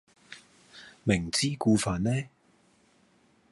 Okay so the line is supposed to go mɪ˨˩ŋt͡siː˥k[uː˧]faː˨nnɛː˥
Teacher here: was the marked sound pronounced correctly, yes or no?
yes